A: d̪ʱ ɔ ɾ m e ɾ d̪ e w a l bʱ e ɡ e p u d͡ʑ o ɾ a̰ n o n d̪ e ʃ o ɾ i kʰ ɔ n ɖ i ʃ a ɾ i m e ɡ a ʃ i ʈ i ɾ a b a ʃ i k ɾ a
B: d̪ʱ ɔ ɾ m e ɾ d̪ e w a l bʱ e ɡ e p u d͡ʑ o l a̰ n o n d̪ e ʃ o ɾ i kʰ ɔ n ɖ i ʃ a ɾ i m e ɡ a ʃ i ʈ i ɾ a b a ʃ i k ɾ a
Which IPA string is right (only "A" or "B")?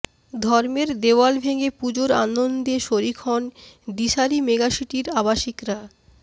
A